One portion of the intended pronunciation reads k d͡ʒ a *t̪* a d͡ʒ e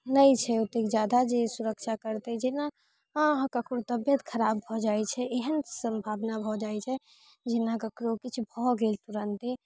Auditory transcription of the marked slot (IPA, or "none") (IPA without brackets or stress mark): d̪